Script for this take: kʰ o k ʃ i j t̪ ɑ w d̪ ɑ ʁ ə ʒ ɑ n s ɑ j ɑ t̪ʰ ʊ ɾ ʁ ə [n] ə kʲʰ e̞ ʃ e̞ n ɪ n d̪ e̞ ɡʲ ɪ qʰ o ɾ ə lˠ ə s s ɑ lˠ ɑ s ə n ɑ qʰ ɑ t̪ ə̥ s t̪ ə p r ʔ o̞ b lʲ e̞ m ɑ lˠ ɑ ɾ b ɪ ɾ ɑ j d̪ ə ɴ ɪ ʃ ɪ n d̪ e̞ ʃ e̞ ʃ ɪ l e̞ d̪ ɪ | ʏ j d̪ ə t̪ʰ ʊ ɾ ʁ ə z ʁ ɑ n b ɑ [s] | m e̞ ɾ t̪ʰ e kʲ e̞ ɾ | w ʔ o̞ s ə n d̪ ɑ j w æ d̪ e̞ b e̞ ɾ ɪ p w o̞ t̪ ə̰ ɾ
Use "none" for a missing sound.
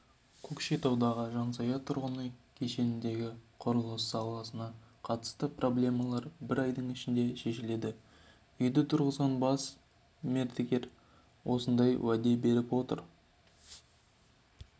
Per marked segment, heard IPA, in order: n, s

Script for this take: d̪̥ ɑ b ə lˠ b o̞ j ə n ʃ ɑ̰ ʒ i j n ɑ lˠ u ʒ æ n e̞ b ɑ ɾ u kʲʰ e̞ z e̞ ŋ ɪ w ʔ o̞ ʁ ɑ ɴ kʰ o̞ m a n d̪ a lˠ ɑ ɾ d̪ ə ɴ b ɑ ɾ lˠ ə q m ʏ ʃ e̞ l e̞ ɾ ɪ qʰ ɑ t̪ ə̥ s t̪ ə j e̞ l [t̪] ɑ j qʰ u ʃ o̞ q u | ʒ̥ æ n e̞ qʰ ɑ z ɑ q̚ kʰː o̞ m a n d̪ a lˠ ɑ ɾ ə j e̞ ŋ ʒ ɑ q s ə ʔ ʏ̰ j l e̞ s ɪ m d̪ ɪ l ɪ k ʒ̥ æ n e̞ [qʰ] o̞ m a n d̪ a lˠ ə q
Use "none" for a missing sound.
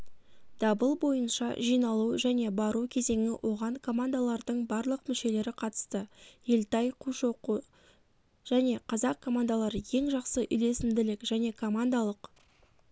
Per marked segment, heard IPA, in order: t̪, kʰ

